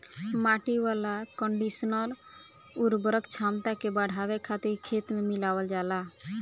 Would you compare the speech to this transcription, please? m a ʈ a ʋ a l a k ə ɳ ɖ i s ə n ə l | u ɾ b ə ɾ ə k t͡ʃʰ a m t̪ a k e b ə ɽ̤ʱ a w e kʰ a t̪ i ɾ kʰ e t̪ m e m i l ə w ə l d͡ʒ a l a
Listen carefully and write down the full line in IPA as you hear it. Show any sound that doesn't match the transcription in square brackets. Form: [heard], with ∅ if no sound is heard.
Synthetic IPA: m a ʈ [i] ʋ a l a k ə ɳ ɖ i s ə n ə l | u ɾ b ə ɾ ə k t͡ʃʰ a m t̪ a k e b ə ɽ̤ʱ a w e kʰ a t̪ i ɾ kʰ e t̪ m e m i l [a] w ə l d͡ʒ a l a